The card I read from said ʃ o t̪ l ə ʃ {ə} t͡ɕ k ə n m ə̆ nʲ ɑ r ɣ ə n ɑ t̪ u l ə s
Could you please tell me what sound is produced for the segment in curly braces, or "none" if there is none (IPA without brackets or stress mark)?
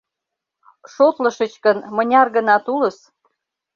ə